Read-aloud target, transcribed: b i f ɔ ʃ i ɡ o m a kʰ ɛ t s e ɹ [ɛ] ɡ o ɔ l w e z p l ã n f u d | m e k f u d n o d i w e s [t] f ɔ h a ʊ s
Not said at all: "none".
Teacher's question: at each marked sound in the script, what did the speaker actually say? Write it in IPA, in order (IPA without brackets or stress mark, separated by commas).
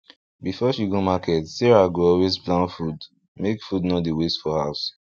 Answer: a, t